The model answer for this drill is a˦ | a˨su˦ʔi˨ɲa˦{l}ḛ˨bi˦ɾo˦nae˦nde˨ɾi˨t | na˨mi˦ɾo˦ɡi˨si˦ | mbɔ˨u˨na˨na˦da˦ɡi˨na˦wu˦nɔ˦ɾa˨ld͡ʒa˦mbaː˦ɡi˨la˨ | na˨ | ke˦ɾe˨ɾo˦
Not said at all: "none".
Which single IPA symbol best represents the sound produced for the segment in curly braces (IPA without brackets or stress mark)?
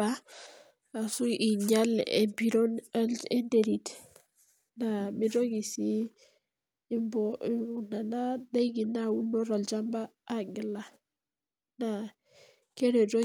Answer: l